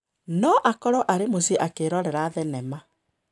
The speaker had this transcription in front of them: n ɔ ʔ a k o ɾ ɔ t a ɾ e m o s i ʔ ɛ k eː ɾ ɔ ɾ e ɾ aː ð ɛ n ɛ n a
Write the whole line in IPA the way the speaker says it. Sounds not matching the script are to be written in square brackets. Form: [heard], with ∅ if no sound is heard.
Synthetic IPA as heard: n ɔ ʔ a k [ɔ] ɾ ɔ [ʔ] a ɾ e m o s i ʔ [a] k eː ɾ ɔ ɾ [ɛ] ɾ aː ð ɛ n ɛ [m] a